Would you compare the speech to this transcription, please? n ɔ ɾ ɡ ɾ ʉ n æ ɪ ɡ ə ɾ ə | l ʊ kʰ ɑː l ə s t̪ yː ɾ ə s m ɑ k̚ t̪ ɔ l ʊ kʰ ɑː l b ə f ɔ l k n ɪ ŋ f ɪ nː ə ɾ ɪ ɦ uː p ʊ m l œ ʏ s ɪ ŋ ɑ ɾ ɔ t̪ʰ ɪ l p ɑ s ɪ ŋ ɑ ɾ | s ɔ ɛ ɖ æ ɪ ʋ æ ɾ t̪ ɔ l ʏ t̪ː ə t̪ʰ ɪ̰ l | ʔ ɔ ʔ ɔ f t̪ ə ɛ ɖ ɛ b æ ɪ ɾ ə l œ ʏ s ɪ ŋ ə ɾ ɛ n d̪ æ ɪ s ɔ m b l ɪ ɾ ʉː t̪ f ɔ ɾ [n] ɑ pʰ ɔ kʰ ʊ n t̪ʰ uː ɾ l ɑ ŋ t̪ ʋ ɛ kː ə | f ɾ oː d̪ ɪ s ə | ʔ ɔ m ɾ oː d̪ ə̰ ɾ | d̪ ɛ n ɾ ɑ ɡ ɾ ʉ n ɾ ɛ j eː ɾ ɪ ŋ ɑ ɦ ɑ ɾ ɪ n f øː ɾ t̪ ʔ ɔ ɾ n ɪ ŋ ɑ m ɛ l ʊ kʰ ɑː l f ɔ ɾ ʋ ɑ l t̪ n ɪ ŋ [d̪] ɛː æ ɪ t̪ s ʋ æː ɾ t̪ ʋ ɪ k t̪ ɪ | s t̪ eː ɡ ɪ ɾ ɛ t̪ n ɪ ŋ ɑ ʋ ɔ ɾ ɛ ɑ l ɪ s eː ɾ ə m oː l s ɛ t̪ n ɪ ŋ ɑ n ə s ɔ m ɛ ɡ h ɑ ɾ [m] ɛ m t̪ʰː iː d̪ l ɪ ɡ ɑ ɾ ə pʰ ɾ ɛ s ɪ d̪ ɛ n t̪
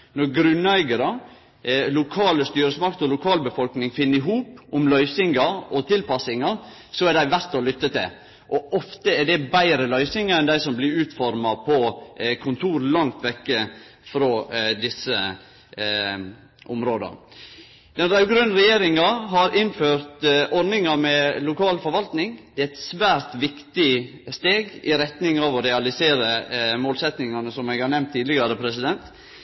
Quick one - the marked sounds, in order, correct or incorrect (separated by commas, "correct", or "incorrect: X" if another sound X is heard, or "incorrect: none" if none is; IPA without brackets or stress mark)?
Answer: incorrect: m, correct, incorrect: n